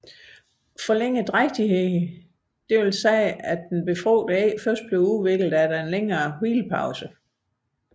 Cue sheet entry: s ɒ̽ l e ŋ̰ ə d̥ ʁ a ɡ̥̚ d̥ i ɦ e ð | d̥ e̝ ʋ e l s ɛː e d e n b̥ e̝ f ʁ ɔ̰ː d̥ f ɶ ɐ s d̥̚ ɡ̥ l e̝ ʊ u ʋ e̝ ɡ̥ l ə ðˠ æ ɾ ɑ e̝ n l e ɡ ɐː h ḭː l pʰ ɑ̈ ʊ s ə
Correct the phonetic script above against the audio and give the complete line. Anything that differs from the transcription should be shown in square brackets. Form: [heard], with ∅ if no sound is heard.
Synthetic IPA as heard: [f] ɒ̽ l e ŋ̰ ə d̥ ʁ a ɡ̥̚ d̥ i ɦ e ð | d̥ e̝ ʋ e l s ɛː [æ] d e n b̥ e̝ f ʁ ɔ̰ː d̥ f ɶ ɐ s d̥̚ [b̥] l e̝ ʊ u ʋ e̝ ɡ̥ l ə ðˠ æ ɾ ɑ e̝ n l e [ŋ] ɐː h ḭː l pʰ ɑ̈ ʊ s ə